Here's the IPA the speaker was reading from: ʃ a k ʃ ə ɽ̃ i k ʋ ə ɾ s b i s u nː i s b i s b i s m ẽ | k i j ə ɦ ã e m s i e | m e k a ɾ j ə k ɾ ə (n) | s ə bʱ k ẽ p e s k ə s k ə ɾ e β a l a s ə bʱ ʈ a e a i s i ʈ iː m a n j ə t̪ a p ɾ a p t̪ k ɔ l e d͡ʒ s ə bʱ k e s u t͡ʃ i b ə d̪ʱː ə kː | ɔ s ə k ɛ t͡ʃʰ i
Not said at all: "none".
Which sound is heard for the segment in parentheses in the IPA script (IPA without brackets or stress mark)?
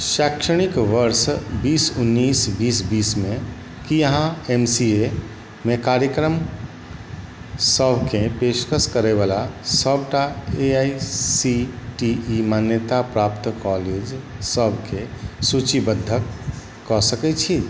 m